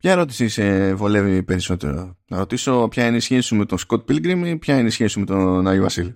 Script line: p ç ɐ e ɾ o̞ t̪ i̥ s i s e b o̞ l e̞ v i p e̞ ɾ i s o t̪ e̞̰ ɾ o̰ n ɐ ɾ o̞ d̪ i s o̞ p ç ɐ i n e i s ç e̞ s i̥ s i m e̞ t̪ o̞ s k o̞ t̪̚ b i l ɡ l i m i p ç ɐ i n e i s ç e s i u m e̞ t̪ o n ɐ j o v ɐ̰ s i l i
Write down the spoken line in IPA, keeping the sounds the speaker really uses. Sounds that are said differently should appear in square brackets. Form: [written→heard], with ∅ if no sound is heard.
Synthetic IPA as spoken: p ç ɐ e ɾ o̞ t̪ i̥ s i s e [b→v] o̞ l e̞ v i p e̞ ɾ i s o t̪ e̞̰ ɾ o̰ n ɐ ɾ o̞ [d̪→t̪] i s o̞ p ç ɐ i n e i s ç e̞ s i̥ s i m e̞ t̪ o̞ s k o̞ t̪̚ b i l ɡ [l→ɾ] i m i p ç ɐ i n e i s ç e s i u m e̞ t̪ o n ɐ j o v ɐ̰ s i l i